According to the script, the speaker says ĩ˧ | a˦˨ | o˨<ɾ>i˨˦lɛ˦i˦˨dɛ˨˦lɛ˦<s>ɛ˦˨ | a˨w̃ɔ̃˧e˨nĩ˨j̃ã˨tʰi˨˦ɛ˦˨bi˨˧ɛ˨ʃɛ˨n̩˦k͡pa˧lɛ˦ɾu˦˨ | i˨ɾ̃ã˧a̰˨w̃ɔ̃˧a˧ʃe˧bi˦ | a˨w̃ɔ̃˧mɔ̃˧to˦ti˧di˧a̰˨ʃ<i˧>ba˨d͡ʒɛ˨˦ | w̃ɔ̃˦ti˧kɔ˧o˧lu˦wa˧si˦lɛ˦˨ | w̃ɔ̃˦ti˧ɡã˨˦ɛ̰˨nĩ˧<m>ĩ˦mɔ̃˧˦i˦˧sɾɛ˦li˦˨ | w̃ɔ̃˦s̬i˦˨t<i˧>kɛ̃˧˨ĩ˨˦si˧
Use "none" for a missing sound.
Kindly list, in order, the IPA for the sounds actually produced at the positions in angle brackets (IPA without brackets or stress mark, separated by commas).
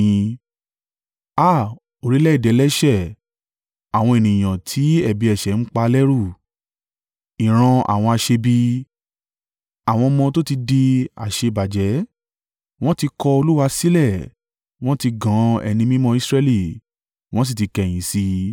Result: ɾ, ʃ, e˧, m, i˧